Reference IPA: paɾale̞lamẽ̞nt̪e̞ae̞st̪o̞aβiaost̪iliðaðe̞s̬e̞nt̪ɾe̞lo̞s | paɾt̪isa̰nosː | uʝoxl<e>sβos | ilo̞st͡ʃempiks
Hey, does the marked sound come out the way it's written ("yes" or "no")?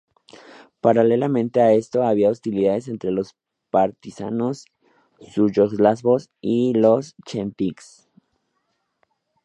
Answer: no